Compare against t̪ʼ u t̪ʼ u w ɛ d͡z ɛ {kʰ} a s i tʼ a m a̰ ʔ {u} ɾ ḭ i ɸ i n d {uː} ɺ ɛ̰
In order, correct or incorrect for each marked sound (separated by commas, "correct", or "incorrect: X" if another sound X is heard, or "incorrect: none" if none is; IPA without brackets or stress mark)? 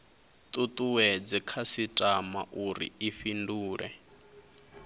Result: correct, correct, correct